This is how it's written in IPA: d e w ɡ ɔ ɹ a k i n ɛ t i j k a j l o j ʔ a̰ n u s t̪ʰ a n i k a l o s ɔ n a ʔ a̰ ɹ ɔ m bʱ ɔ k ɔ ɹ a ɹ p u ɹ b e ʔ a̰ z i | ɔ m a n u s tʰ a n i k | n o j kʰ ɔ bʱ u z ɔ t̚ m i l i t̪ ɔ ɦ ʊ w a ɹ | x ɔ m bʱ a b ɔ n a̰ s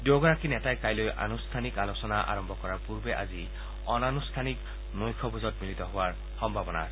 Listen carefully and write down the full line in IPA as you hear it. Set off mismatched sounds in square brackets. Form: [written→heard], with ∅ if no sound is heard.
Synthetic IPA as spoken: d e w ɡ ɔ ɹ a k i n ɛ t [i→a] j k a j l o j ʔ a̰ n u s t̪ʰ a n i k a l o s ɔ n a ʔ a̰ ɹ ɔ m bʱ ɔ k ɔ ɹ a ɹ p u ɹ b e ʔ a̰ z i | ɔ [m→n] a n u s tʰ a n i k | n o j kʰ ɔ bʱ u z ɔ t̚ m i l i t̪ ɔ ɦ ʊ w a ɹ | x ɔ m bʱ a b ɔ n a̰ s